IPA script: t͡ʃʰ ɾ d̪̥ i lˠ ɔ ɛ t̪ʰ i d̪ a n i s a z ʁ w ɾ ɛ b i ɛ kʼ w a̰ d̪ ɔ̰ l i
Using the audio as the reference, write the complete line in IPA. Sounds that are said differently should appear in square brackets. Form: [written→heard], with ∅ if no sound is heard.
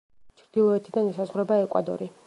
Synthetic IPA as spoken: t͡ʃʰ ɾ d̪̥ i lˠ ɔ ɛ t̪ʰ i d̪ a n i s a z ʁ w ɾ ɛ b [i→a] ɛ kʼ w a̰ d̪ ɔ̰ [l→ɾ] i